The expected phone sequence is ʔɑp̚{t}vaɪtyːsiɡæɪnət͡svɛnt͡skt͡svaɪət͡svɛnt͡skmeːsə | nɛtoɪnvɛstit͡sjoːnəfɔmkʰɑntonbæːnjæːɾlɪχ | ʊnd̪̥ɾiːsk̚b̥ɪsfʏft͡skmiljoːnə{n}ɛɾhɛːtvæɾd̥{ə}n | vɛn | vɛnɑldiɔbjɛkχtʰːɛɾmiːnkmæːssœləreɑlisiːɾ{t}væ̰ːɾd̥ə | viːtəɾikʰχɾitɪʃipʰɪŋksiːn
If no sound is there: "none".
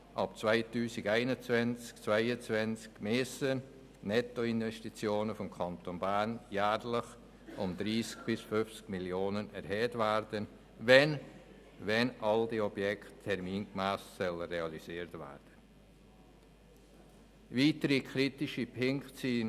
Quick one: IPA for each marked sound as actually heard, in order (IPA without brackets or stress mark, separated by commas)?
t͡s, n, ə, t